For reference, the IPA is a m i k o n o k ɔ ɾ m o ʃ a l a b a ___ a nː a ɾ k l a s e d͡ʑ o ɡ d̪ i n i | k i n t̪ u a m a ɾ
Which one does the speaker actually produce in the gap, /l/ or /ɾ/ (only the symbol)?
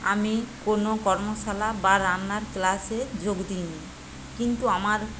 ɾ